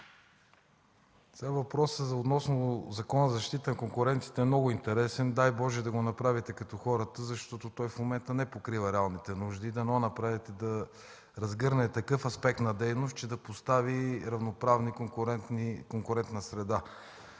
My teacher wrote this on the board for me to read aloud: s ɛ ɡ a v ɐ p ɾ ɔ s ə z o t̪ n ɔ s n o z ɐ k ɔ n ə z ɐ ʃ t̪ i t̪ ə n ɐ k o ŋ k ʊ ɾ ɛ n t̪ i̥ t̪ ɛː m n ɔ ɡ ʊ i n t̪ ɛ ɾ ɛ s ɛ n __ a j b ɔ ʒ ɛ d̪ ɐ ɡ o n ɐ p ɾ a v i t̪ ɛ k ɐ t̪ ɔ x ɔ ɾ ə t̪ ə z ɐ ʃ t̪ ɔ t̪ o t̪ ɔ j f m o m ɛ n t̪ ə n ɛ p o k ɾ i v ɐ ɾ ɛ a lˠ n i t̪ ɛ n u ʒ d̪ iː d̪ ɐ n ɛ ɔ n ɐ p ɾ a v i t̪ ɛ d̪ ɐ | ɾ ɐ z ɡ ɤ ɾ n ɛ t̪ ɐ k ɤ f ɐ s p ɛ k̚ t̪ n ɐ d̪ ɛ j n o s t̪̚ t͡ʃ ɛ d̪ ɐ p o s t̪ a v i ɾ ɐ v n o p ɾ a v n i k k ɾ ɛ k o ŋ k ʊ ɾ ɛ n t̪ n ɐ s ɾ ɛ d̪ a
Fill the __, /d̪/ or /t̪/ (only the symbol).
d̪